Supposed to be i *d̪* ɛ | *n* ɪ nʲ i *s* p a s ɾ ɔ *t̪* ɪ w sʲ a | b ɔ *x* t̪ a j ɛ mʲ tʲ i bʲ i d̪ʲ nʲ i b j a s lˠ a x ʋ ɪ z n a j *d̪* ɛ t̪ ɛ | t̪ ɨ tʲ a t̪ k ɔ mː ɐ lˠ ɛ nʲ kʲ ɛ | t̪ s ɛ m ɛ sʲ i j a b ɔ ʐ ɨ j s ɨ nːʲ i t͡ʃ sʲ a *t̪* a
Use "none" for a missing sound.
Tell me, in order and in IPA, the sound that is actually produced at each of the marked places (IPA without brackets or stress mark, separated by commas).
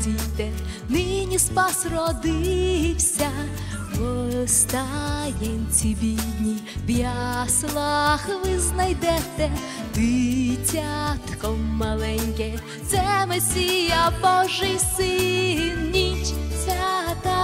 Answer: t̪, n, s, d̪, s, d̪, t̪